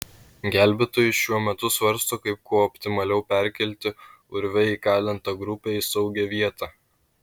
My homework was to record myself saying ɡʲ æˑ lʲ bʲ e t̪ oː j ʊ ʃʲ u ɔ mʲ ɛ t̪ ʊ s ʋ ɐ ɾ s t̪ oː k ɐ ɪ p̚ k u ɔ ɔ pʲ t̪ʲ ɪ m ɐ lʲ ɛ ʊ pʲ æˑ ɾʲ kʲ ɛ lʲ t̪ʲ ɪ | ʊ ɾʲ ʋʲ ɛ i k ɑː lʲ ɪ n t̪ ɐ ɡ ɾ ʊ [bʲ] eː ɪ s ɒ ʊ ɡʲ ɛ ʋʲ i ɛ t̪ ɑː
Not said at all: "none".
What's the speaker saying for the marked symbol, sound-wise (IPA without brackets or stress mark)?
pʲ